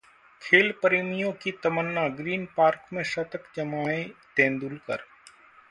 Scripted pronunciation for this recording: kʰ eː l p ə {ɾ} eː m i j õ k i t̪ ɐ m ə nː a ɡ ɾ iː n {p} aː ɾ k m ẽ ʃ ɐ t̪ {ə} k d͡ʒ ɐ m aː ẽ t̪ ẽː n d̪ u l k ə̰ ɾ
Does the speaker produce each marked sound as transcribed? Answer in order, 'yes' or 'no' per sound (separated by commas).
yes, yes, yes